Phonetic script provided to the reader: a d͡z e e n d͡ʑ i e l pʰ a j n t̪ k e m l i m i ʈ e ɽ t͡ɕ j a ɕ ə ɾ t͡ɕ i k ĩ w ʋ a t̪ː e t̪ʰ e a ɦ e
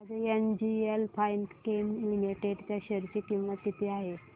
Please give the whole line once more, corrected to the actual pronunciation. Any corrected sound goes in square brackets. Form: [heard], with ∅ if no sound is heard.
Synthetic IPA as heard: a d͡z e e n d͡ʑ i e l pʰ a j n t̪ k e m l i m i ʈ e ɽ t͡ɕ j a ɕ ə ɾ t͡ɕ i k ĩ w ʋ a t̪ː [i] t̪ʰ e a ɦ e